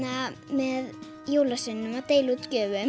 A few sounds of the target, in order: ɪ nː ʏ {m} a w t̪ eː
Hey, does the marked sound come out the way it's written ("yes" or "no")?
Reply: yes